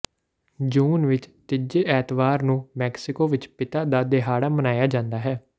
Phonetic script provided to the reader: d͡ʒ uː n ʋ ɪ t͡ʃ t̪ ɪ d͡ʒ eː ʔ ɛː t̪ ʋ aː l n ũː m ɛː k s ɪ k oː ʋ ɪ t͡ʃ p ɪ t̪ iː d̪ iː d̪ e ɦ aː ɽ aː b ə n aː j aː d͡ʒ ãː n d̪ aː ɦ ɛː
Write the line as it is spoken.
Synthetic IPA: d͡ʒ uː n ʋ ɪ t͡ʃ t̪ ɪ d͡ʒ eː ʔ ɛː t̪ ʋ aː ɾ n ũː m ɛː k s ɪ k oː ʋ ɪ t͡ʃ p ɪ t̪ aː d̪ aː d̪ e ɦ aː ɽ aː m ə n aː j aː d͡ʒ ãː n d̪ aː ɦ ɛː